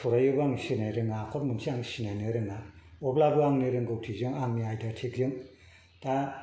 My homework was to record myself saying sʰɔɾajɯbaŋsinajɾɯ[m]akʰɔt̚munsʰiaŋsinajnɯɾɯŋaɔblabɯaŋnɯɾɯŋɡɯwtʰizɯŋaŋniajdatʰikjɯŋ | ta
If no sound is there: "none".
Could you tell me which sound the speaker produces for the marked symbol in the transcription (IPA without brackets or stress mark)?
ŋ